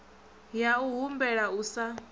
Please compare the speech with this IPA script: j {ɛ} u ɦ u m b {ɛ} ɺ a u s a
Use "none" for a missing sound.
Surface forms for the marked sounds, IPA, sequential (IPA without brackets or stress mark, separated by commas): a, ɛ